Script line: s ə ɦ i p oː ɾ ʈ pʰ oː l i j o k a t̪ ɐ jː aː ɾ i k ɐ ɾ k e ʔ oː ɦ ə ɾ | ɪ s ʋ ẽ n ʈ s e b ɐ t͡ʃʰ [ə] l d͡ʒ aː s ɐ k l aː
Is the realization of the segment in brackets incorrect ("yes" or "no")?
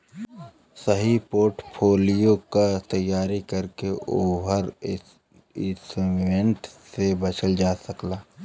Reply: no